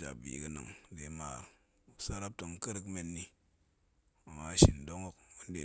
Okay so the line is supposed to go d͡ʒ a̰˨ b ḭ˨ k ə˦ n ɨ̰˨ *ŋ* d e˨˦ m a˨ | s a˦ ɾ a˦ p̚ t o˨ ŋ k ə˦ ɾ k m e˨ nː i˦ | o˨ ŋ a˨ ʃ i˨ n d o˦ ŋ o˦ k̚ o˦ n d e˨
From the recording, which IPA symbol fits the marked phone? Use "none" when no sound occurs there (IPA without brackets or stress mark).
ŋ